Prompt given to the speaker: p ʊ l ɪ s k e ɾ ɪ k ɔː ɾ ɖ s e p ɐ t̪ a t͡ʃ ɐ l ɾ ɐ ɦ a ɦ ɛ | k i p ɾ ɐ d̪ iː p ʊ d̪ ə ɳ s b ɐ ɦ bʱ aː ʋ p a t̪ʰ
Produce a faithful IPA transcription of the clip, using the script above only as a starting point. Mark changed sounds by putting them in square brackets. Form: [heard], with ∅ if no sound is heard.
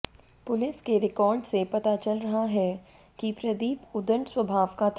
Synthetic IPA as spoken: p ʊ l ɪ s k e ɾ ɪ k ɔː ɾ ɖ s e p ɐ t̪ a t͡ʃ ɐ l ɾ ɐ ɦ a ɦ ɛ | k i p ɾ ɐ d̪ iː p ʊ d̪ ə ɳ s [w] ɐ [∅] bʱ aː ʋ [k] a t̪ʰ